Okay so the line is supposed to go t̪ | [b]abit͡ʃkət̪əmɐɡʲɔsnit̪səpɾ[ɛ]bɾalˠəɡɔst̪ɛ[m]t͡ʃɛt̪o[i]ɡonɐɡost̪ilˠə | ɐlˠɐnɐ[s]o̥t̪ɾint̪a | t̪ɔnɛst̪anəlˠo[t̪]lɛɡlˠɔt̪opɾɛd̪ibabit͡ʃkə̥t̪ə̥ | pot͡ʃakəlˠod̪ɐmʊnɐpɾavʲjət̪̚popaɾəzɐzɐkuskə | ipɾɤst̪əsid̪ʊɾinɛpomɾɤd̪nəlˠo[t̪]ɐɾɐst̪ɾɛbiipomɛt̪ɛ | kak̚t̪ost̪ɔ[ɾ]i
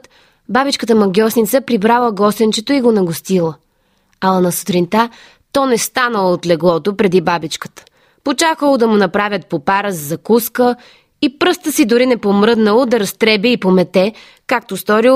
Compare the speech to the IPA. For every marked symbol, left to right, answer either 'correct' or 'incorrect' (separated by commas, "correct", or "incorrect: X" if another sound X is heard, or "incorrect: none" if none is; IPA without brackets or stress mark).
correct, incorrect: i, incorrect: n, correct, correct, correct, incorrect: d̪, correct